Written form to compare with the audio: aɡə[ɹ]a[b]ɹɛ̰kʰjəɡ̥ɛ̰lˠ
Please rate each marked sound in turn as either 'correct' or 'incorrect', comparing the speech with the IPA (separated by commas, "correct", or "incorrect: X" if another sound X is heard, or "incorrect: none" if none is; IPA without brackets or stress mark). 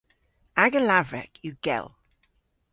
incorrect: l, incorrect: v